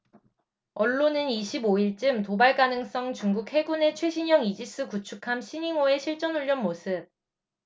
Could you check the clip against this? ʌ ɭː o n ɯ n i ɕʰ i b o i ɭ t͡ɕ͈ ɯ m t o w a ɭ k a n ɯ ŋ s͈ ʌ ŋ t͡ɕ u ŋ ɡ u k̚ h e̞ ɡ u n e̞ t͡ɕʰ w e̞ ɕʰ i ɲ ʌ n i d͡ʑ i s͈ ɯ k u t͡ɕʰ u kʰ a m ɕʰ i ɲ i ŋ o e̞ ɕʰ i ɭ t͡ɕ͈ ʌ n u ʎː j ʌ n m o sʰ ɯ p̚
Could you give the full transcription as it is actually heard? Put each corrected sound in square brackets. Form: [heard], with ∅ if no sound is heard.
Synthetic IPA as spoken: ʌ ɭː o n ɯ n i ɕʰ i b o i ɭ t͡ɕ͈ ɯ m t o [b] a ɭ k a n ɯ ŋ s͈ ʌ ŋ t͡ɕ u ŋ ɡ u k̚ h e̞ ɡ u n e̞ t͡ɕʰ w e̞ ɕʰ i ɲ ʌ [ŋ] i d͡ʑ i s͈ ɯ k u t͡ɕʰ u kʰ a m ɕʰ i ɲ i ŋ o e̞ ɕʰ i ɭ t͡ɕ͈ ʌ n u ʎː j ʌ n m o sʰ ɯ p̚